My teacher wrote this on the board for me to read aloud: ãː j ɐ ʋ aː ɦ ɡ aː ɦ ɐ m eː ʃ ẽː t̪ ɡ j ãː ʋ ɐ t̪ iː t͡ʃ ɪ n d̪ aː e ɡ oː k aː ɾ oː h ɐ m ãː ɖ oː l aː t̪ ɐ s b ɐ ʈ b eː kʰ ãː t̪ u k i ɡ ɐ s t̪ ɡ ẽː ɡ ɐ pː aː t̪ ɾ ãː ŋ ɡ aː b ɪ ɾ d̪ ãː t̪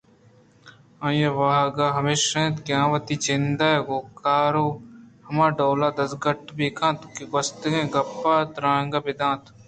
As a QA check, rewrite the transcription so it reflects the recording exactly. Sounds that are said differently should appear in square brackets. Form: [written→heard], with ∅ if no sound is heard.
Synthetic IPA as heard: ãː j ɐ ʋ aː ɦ ɡ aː ɦ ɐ m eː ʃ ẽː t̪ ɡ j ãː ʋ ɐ t̪ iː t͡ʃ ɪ n d̪ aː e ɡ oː k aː ɾ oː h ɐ m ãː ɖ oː l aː [t̪→d̪] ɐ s [b→ɡ] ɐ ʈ b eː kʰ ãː t̪ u k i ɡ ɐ s t̪ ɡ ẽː ɡ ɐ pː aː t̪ ɾ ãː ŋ ɡ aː b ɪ [ɾ→∅] d̪ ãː t̪